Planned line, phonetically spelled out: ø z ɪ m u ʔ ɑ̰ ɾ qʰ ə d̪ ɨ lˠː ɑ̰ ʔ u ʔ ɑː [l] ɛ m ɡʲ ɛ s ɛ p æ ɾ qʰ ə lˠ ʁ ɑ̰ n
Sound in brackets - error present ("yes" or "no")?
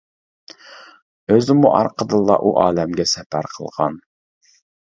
no